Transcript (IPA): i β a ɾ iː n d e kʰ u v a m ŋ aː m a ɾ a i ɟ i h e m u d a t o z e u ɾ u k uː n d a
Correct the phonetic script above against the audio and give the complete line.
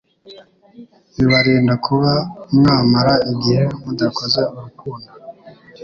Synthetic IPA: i β a ɾ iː n d a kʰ u β a m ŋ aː m a ɾ a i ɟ i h e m u d a k o z e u ɾ u k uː n d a